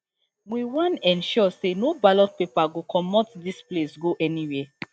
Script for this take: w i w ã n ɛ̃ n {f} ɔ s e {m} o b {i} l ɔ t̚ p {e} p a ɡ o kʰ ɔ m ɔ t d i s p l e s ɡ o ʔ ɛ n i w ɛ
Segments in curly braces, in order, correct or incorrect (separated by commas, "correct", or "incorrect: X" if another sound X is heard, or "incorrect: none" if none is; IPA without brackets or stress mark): incorrect: ʃ, incorrect: n, incorrect: a, correct